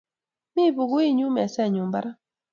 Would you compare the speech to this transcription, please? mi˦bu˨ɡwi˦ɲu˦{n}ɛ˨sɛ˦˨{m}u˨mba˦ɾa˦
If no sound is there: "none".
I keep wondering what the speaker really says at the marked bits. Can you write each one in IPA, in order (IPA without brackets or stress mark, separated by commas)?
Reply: m, ɲ